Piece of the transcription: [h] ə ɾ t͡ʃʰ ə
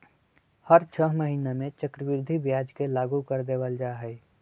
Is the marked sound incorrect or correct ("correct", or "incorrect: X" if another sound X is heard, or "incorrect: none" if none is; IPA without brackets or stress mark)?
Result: correct